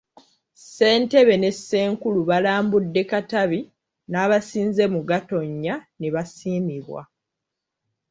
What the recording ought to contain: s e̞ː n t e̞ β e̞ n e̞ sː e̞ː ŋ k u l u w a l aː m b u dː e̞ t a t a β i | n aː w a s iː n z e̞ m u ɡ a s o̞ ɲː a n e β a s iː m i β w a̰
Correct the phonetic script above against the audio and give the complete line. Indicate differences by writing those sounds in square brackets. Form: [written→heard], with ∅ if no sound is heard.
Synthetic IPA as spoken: s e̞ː n t e̞ β e̞ n e̞ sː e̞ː ŋ k u l u [w→β] a l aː m b u dː e̞ [t→k] a t a β i | n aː [w→β] a s iː n z e̞ m u ɡ a [s→t] o̞ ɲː a n e β a s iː m i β w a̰

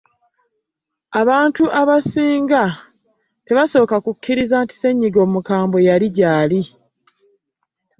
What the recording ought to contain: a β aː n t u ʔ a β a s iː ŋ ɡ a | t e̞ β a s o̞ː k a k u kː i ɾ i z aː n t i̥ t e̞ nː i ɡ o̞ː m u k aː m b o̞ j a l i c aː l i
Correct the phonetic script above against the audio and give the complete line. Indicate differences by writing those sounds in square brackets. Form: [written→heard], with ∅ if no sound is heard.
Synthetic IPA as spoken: a β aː n t u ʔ a β a s iː ŋ ɡ a | t e̞ β a s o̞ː k a k u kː i ɾ i z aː n t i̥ [t→s] e̞ [nː→ɲː] i ɡ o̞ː m u k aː m b o̞ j a l i [c→ɟ] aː l i

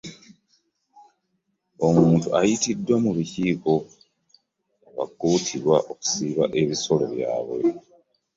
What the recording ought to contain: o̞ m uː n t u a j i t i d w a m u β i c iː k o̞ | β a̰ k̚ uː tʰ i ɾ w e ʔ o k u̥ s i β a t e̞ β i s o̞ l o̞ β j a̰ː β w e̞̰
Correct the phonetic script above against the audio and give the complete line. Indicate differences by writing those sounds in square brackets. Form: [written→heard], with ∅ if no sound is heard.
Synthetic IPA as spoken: o̞ m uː n t u a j i t i d w a m u β i c iː k o̞ | β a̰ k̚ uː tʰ i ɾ w [e→a] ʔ o k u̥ s i β a [t→ʔ] e̞ β i s o̞ l o̞ β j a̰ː β w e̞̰

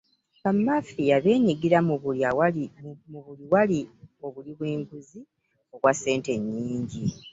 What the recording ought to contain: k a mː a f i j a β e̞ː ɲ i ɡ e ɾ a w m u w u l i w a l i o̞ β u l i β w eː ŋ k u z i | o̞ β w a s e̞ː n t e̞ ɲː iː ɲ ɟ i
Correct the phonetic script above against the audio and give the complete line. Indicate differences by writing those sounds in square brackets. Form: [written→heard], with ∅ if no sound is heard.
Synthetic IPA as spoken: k a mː a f i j a β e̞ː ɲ i ɡ [e→i] ɾ a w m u [w→β] u l i w a l i o̞ β u l i β w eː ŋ [k→ɡ] u z i | o̞ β w a s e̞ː n t e̞ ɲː iː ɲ ɟ i

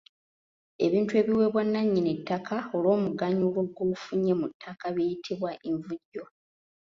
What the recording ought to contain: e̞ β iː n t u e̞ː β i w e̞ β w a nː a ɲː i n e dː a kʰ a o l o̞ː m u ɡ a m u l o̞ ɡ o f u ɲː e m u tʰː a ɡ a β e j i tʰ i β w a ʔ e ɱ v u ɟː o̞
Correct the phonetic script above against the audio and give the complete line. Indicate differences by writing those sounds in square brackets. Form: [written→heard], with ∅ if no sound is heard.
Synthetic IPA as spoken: e̞ β iː n t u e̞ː β i w e̞ β w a nː a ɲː i n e [dː→tː] a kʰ a o l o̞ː m u ɡ a [m→ɲ] u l o̞ ɡ o f u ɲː e m u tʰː a [ɡ→k] a β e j i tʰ i β w a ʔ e ɱ v u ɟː o̞

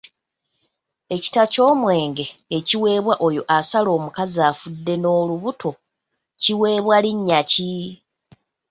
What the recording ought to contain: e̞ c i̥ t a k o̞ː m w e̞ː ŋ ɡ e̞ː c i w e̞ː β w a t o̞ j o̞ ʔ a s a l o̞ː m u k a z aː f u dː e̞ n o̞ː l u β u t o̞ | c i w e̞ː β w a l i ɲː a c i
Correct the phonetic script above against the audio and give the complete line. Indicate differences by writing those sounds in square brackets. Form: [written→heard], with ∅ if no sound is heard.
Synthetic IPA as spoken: e̞ c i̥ t a [k→c] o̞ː m w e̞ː ŋ ɡ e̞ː c i w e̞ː β w a [t→ʔ] o̞ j o̞ ʔ a s a l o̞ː m u k a z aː f u dː e̞ n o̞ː l u β u t o̞ | c i w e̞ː β w a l i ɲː a c i

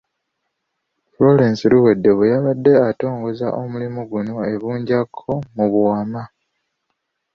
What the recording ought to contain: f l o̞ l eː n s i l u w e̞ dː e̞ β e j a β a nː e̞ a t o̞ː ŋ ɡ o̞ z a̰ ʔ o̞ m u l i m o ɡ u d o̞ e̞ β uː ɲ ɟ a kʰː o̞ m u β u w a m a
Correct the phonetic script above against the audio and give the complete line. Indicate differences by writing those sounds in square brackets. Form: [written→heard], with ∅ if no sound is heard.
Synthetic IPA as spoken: f l o̞ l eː n s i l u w e̞ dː e̞ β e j a β a [nː→dː] e̞ a t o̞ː ŋ ɡ o̞ z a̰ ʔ o̞ m u l i m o ɡ u [d→n] o̞ e̞ β uː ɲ ɟ a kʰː o̞ m u β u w a m a

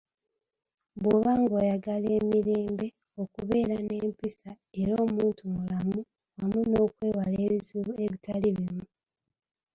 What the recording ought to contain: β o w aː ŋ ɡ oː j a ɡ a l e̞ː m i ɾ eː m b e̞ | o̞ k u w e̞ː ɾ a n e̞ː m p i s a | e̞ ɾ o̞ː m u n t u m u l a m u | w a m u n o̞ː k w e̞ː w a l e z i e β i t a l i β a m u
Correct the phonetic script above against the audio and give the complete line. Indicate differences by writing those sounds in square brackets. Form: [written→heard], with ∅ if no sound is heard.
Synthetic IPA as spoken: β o [w→β] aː ŋ ɡ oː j a ɡ a l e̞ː m i ɾ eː m b e̞ | o̞ k u [w→β] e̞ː ɾ a n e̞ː m p i s a | e̞ ɾ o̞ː m [u→uː] n t u m u l a m u | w a m u n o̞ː k w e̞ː w a l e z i e β i t a l i β [a→i] m u

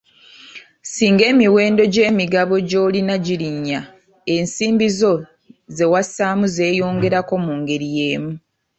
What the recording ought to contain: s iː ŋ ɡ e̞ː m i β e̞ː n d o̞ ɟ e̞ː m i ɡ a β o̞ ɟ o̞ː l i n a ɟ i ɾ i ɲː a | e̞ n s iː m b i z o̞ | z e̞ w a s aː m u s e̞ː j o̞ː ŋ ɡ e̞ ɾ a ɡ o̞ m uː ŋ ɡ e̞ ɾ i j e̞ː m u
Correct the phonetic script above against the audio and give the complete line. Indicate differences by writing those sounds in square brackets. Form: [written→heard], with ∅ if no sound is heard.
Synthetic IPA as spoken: s iː ŋ ɡ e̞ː m i [β→w] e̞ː n d o̞ ɟ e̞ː m i ɡ a β o̞ ɟ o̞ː l i n a ɟ i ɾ i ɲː a | e̞ n s iː m b i z o̞ | z e̞ w a s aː m u [s→z] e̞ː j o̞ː ŋ ɡ e̞ ɾ a [ɡ→k] o̞ m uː ŋ ɡ e̞ ɾ i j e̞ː m u

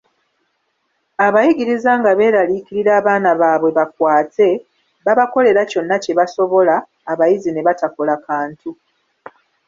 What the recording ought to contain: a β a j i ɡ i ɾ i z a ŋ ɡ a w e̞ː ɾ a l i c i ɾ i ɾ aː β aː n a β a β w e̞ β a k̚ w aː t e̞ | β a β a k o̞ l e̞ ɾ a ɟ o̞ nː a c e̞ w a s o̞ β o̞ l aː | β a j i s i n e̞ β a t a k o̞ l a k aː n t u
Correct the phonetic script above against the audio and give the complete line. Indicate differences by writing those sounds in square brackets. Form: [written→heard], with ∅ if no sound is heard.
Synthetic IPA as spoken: a β a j i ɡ i ɾ i z a ŋ ɡ a [w→β] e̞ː ɾ a l i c i ɾ i ɾ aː β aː n a β a β w e̞ β a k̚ w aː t e̞ | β a β a k o̞ l e̞ ɾ a [ɟ→c] o̞ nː a c e̞ [w→β] a s o̞ β o̞ l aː | β a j i [s→z] i n e̞ β a t a k o̞ l a k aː n t u

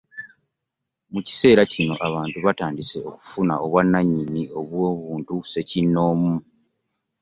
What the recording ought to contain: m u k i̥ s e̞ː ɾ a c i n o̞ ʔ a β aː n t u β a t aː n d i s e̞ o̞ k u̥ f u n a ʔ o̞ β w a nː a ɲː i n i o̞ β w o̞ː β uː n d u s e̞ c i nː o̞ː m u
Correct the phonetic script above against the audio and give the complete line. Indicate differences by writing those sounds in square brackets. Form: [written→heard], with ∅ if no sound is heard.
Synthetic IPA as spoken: m u [k→c] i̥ s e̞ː ɾ a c i n o̞ ʔ a β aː n t u β a t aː n d i s e̞ o̞ k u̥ f u n a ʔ o̞ β w a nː a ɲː i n i o̞ β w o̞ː β uː n [d→t] u s e̞ c i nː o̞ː m u

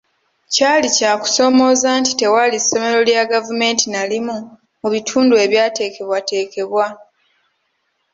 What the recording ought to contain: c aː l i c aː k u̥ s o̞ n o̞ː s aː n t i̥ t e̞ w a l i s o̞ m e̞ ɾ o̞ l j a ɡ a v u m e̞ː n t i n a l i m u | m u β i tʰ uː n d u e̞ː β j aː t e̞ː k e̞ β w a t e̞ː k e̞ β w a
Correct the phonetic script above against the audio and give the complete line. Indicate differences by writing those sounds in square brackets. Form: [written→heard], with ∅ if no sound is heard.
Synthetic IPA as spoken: c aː l i c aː k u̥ s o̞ [n→m] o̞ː [s→z] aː n t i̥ t e̞ w a l i s o̞ m e̞ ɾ o̞ l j a ɡ a v u m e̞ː n t i n a l i m u | m u β i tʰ uː n d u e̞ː β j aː t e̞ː k e̞ β w a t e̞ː k e̞ β w a

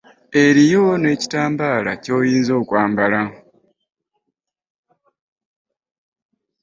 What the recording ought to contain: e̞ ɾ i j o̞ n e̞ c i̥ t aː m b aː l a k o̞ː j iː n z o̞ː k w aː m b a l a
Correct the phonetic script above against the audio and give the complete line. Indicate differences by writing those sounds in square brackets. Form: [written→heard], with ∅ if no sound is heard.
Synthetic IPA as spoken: e̞ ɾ i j o̞ n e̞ c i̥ t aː m b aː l a [k→c] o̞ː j iː n z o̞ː k w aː m b a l a

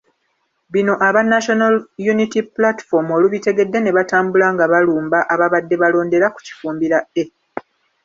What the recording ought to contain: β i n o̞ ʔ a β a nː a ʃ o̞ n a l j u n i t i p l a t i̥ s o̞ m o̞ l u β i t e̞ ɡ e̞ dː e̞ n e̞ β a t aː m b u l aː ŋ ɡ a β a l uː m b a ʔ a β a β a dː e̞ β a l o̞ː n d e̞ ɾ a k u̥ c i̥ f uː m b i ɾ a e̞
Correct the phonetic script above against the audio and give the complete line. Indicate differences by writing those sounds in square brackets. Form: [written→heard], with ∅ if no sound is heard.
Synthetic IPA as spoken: β i n o̞ ʔ a β a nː a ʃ o̞ n a l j u n i t i p l a t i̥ [s→f] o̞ m o̞ l u β i t e̞ ɡ e̞ dː e̞ n e̞ β a t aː m b u l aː ŋ ɡ a β a l uː m b a ʔ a β a β a dː e̞ β a l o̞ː n d e̞ ɾ a k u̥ c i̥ f uː m b i ɾ a e̞

